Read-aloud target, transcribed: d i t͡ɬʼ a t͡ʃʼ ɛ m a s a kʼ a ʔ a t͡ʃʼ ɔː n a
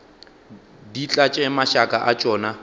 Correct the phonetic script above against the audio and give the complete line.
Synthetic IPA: d i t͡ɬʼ a t͡ʃʼ ɛ m a ʃ a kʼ a ʔ a t͡ʃʼ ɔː n a